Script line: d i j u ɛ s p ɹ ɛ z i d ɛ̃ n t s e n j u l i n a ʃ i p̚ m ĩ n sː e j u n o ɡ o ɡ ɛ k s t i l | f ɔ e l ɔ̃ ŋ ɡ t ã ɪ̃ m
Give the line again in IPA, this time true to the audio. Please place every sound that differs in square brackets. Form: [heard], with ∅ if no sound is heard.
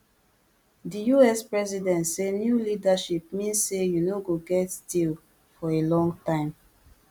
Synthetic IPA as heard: d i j u ɛ s p ɹ ɛ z i d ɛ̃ n t s e n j u l i [d] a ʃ i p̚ m ĩ n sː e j u n o ɡ o ɡ ɛ [t] s t i l | f ɔ e l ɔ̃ ŋ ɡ t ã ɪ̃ m